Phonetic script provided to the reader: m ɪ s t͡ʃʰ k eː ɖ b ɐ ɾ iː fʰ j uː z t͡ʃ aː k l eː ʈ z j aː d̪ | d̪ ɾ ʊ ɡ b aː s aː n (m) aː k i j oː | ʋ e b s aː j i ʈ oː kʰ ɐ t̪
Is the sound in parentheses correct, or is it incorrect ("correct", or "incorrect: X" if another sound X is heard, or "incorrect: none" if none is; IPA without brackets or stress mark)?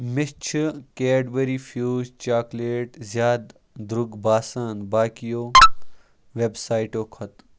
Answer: incorrect: b